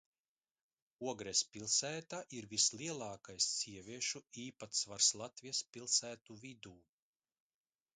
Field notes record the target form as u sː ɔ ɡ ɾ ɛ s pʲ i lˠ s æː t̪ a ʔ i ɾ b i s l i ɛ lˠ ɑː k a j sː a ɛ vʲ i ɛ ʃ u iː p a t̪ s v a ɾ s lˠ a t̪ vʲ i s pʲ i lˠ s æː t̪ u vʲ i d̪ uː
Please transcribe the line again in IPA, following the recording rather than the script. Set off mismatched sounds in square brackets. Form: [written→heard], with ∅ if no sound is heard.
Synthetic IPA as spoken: u [sː→∅] ɔ ɡ ɾ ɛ s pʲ i lˠ s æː t̪ a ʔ i ɾ [b→v] i s l i ɛ lˠ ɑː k a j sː [a→i] ɛ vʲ i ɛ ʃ u iː p a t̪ s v a ɾ s lˠ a t̪ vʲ i s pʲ i lˠ s æː t̪ u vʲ i d̪ uː